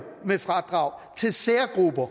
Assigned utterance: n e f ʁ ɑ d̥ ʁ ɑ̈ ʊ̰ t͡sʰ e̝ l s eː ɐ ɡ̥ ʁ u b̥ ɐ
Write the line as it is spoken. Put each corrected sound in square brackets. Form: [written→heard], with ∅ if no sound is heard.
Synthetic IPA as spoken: [n→m] e f ʁ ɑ d̥ ʁ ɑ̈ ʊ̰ t͡sʰ e̝ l s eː ɐ ɡ̥ ʁ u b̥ ɐ